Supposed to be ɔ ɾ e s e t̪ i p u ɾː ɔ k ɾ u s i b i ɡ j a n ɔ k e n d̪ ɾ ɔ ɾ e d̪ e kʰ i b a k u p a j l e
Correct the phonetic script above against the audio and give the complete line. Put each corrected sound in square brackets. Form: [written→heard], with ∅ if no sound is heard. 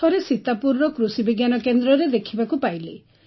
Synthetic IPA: ɔ ɾ e s [e→i] t̪ [i→a] p u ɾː ɔ k ɾ u s i b i ɡ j a n ɔ k e n d̪ ɾ ɔ ɾ e d̪ e kʰ i b a k u p a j l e